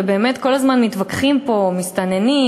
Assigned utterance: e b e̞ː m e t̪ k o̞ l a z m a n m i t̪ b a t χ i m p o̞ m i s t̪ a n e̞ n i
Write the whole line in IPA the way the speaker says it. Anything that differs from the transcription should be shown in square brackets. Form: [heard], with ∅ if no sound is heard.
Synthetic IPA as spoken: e b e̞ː m e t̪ k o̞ l a z m a n m i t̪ [v] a [k] χ i m p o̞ m i s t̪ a n e̞ n i